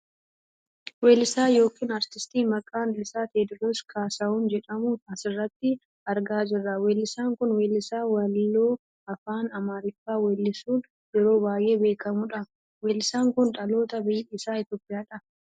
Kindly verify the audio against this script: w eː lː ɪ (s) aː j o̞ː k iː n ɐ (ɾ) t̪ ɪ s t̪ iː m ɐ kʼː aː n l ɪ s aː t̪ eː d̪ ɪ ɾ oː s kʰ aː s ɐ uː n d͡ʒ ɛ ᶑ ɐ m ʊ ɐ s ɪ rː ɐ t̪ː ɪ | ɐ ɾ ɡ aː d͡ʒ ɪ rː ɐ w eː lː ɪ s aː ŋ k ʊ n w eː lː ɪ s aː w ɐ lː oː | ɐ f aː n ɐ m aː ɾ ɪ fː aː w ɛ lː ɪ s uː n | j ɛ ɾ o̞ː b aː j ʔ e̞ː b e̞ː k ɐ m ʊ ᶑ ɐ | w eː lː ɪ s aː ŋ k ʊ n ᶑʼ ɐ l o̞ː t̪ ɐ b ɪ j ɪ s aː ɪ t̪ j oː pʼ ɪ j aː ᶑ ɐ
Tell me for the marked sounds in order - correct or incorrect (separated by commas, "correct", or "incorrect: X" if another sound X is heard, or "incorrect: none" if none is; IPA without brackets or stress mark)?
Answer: correct, correct